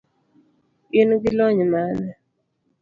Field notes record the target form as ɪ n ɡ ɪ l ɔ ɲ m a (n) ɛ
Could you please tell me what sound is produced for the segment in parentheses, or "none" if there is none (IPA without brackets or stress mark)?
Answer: n